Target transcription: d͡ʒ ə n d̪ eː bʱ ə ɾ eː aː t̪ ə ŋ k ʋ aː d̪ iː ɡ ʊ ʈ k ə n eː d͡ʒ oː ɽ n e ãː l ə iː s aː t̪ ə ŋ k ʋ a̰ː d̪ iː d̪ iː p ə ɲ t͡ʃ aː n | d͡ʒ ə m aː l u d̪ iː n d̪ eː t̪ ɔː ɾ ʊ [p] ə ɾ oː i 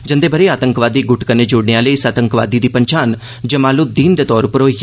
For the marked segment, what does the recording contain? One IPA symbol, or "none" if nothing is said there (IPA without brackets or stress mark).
p